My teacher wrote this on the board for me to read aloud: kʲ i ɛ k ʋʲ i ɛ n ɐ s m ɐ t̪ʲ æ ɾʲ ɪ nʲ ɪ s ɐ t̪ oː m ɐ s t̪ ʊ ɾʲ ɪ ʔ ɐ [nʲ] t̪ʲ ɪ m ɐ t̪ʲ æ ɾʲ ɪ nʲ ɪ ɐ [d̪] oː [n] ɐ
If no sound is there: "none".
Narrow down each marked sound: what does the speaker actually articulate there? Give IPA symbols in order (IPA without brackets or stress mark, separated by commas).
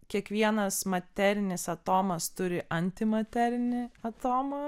nʲ, t̪, m